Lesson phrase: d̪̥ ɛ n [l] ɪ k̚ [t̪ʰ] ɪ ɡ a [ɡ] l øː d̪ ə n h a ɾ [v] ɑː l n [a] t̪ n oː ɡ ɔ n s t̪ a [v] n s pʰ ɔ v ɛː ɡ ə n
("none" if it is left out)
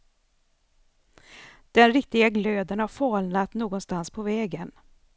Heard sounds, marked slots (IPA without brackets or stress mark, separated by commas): ɾ, t̪, ɡ, f, a, none